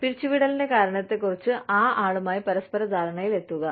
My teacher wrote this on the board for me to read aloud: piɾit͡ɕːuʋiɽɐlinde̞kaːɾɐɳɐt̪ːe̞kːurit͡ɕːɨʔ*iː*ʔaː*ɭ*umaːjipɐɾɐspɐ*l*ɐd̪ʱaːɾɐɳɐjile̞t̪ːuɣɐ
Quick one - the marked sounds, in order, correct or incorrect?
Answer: incorrect: aː, correct, incorrect: ɾ

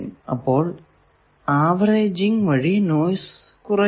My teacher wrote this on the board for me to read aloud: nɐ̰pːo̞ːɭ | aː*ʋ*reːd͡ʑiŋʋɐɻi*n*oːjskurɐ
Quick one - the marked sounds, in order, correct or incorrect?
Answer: correct, correct

